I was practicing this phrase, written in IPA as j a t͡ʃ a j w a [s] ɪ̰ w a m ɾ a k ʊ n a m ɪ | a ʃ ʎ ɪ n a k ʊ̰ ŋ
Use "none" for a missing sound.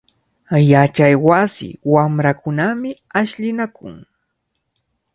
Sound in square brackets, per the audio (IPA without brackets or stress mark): s